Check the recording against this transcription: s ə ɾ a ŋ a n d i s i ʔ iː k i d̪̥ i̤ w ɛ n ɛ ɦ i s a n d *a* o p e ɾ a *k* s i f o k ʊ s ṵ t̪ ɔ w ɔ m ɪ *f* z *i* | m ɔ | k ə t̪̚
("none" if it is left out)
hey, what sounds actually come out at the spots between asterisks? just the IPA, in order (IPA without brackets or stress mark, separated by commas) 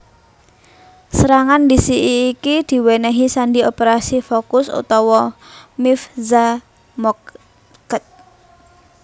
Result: i, none, f, a